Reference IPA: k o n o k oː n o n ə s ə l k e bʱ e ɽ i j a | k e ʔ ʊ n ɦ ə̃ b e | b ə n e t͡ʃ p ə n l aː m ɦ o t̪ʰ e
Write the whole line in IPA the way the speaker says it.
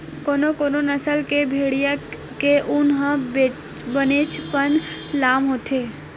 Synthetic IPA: k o n o k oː n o n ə s ə l k e bʱ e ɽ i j a | k e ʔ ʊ n ɦ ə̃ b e | b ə n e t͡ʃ p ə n l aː m ɦ o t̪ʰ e